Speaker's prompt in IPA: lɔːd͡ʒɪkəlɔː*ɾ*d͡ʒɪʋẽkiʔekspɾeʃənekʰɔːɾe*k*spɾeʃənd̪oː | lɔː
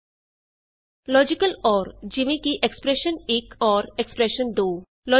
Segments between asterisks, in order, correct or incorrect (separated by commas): correct, correct